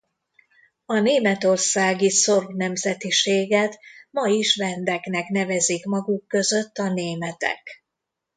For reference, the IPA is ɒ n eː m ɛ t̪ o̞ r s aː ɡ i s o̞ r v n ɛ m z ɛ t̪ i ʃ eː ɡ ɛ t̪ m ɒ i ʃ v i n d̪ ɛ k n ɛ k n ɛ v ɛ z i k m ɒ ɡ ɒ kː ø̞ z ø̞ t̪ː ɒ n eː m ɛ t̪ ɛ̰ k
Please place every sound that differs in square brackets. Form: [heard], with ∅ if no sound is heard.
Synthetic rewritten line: ɒ n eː m ɛ t̪ o̞ r s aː ɡ i s o̞ r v n ɛ m z ɛ t̪ i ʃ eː ɡ ɛ t̪ m ɒ i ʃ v [ɛ] n d̪ ɛ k n ɛ k n ɛ v ɛ z i k m ɒ ɡ [u] kː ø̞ z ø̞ t̪ː ɒ n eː m ɛ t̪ ɛ̰ k

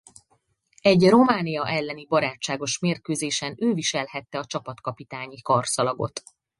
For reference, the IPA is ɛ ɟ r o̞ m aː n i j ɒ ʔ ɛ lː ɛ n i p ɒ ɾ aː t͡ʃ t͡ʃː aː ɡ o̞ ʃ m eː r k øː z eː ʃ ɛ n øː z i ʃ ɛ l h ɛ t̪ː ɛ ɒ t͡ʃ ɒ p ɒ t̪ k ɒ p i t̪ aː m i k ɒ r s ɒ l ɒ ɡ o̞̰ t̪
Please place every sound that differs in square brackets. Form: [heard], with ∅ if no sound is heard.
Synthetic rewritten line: ɛ ɟ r o̞ m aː n i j ɒ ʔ ɛ lː ɛ n i [b] ɒ ɾ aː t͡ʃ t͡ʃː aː ɡ o̞ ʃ m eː r k øː z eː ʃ ɛ n øː [v] i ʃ ɛ l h ɛ t̪ː ɛ ɒ t͡ʃ ɒ p ɒ t̪ k ɒ p i t̪ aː [ɲ] i k ɒ r s ɒ l ɒ ɡ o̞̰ t̪

